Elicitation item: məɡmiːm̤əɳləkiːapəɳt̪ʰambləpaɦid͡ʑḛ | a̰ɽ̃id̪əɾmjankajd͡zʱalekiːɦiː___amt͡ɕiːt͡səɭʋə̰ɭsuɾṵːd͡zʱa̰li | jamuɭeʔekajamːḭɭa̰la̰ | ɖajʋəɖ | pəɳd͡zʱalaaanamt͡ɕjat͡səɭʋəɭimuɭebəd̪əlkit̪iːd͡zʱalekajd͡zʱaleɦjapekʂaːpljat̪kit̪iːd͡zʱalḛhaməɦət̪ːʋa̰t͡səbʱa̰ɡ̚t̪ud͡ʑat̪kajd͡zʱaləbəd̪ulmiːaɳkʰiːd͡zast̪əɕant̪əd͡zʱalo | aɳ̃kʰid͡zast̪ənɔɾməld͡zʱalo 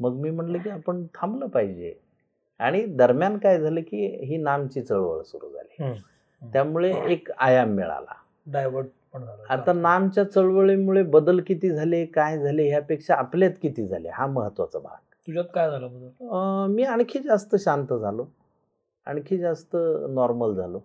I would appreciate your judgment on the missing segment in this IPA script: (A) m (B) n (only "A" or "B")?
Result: B